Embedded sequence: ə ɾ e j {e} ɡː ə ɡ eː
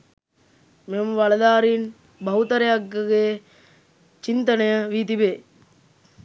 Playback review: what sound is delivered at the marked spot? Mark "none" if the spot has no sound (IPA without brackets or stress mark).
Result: a